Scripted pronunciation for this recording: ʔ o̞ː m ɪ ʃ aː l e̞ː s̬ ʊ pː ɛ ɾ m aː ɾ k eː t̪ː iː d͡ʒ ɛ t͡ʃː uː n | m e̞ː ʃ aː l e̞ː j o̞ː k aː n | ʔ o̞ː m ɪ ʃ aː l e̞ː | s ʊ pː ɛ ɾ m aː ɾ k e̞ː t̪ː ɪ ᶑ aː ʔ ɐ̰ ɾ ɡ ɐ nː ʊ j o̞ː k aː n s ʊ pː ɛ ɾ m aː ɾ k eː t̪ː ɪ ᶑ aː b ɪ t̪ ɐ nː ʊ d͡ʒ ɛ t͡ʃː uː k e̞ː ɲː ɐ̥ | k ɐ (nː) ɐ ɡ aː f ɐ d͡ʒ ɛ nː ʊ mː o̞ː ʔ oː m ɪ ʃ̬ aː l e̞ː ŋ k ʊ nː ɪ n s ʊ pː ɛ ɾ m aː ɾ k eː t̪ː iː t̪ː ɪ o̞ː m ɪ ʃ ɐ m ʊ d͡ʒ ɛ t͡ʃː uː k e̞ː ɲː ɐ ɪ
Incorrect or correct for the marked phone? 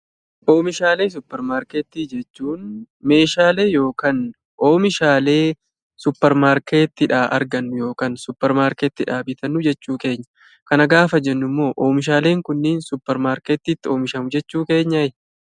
incorrect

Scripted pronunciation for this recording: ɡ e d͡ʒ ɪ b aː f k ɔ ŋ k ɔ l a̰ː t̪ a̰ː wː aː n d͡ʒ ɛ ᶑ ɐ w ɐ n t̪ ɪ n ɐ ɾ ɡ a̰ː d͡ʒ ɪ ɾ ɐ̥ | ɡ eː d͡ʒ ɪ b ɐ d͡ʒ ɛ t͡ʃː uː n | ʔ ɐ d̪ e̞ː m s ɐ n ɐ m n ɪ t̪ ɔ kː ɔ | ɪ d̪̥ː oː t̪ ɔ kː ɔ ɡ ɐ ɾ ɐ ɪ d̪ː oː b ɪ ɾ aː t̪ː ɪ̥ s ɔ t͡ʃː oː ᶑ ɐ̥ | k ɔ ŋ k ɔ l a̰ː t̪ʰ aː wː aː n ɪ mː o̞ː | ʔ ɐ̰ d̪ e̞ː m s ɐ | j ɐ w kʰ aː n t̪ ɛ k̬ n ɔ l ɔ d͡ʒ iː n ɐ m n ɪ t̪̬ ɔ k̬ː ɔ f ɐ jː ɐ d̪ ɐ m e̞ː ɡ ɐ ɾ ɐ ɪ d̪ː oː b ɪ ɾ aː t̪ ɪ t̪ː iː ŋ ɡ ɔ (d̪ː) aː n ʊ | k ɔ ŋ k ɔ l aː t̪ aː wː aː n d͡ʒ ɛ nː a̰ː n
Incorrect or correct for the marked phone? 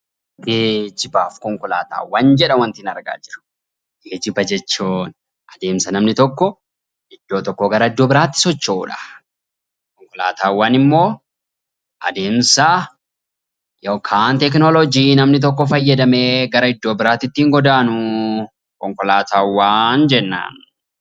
incorrect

